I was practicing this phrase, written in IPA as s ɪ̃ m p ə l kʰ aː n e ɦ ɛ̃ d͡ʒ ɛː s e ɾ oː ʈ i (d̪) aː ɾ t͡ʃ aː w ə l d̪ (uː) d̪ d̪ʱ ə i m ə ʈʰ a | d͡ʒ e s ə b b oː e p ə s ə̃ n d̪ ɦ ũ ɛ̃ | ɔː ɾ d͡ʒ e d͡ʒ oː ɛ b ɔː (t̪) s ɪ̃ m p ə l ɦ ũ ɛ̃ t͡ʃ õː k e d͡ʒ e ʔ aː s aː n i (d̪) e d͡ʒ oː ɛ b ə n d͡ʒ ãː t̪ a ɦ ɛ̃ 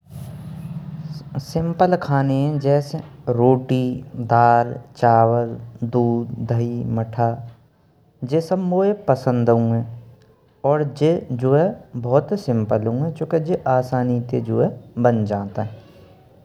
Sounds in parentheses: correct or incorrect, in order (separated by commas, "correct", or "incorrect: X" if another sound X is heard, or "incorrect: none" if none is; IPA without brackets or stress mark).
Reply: correct, correct, correct, incorrect: t̪